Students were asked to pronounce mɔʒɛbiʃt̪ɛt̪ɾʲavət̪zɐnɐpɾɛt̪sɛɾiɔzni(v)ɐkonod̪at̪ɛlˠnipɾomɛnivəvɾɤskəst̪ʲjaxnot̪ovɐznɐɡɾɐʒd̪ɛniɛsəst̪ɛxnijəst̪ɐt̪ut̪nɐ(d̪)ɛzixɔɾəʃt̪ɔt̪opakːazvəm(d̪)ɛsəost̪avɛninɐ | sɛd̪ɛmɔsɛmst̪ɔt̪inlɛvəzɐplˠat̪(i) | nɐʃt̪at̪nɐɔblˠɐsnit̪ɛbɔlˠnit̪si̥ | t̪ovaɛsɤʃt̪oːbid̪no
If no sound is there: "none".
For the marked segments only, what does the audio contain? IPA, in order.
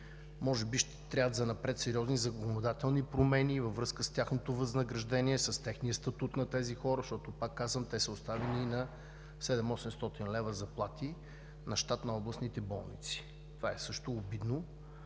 z, t̪, t̪, i

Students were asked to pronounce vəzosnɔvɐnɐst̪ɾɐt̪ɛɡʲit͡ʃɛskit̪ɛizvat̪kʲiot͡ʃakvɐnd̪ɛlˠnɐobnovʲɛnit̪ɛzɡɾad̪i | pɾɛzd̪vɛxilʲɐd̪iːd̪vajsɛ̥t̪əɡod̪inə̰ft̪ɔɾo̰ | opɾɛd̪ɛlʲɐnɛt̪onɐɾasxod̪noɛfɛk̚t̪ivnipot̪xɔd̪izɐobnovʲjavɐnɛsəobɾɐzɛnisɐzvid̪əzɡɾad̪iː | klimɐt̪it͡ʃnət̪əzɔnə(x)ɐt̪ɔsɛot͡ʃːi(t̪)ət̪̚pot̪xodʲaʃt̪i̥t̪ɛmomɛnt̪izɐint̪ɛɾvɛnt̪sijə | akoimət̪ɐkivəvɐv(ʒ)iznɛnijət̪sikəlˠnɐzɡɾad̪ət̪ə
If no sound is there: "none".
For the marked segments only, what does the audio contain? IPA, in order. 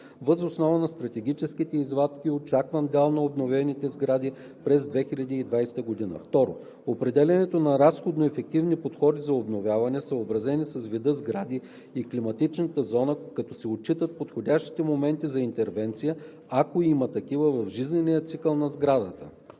k, t̪, ʒ

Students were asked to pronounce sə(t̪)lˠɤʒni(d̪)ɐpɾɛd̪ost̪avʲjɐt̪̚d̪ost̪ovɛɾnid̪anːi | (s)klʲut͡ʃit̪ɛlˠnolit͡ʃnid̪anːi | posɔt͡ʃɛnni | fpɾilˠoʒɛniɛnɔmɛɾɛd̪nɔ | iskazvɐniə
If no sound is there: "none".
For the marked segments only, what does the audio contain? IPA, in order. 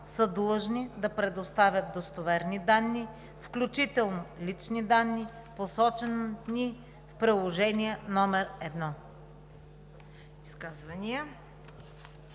d̪, d̪, f

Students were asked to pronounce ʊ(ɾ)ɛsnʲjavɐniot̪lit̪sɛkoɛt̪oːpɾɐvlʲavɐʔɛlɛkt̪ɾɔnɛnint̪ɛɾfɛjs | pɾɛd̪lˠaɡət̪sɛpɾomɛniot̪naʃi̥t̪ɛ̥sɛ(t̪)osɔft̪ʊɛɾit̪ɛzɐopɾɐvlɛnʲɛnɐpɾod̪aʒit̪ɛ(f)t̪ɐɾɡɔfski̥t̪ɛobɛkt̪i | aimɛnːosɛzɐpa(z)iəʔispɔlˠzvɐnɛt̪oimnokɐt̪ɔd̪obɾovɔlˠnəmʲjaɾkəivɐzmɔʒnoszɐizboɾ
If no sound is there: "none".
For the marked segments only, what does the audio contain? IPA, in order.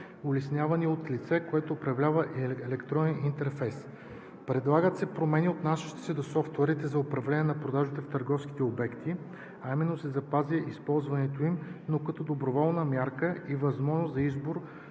l, d̪, f, z

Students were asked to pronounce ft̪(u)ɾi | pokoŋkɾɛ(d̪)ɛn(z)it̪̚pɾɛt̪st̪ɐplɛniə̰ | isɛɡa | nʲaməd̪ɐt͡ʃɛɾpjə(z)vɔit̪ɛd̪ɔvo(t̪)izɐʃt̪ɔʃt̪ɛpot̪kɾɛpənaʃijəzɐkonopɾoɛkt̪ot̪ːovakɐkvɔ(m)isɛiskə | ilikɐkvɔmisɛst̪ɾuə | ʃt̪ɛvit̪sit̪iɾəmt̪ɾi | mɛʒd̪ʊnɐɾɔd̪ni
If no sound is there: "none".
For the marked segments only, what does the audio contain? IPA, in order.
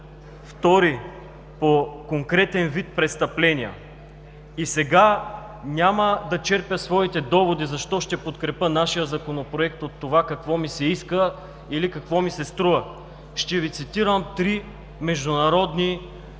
ɔ, t̪, v, s, d̪, m

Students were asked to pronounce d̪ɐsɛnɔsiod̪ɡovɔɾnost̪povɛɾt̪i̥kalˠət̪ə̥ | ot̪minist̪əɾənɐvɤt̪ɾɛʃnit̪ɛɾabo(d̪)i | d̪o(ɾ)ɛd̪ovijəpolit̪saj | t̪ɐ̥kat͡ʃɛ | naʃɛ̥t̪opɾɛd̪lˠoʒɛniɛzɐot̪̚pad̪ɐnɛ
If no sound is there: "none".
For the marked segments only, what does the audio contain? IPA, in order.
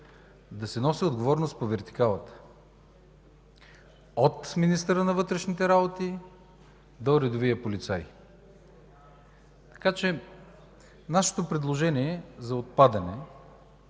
t̪, ɾ

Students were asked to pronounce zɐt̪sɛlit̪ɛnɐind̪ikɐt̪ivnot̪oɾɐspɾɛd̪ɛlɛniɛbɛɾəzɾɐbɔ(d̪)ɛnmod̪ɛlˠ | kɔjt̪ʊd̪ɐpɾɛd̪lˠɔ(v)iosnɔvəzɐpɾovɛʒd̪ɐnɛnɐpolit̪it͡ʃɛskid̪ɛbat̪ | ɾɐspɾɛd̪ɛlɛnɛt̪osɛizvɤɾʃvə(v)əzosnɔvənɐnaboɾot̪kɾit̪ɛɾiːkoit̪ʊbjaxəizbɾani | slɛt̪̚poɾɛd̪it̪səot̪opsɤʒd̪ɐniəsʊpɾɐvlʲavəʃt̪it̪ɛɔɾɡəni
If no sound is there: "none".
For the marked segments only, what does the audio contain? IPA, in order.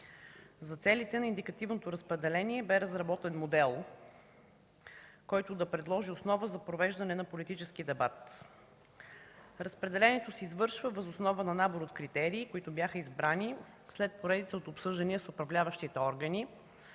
t̪, ʒ, v

